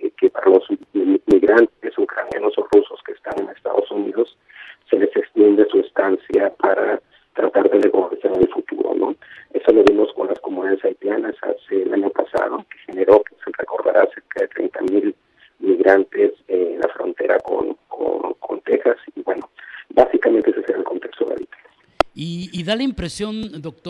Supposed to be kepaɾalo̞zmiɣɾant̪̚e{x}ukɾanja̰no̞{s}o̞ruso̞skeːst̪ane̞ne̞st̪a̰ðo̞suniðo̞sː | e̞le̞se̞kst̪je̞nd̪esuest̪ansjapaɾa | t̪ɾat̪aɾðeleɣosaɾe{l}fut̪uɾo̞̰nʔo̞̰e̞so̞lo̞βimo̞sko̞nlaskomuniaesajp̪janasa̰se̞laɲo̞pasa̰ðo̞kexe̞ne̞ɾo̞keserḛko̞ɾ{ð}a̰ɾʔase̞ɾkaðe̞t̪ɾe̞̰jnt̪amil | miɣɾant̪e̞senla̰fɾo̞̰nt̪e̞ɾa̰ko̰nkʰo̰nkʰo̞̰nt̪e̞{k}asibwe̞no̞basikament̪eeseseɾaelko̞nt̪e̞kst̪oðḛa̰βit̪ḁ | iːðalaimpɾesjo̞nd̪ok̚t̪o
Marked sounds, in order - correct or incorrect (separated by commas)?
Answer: incorrect, correct, correct, correct, incorrect